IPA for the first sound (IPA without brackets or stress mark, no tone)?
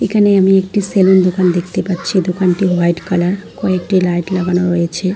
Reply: e